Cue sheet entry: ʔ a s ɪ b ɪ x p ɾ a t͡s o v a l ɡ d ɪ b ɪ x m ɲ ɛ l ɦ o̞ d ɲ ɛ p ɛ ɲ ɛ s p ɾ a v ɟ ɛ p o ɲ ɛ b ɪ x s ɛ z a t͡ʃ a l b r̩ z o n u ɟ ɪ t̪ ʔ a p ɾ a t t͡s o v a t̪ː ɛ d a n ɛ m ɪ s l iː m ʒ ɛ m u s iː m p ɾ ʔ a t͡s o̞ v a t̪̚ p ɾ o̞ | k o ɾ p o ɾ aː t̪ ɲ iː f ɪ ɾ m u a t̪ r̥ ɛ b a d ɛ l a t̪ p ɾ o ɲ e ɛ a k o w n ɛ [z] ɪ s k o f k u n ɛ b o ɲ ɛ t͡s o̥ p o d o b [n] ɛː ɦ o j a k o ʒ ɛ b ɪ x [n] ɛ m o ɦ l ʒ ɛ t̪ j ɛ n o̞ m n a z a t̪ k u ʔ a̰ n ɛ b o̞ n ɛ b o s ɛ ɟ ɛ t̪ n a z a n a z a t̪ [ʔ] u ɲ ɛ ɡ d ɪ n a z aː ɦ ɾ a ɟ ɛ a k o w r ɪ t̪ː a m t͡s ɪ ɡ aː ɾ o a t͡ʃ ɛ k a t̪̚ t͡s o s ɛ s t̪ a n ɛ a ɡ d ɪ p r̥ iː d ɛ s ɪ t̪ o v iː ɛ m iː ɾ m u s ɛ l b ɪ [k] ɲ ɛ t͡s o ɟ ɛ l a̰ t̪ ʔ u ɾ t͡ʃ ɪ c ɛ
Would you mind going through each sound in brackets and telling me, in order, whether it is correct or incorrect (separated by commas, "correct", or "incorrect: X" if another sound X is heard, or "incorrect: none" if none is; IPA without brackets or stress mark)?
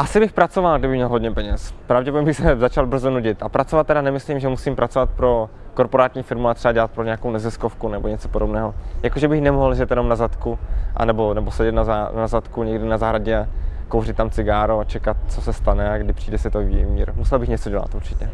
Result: correct, correct, correct, incorrect: k, incorrect: x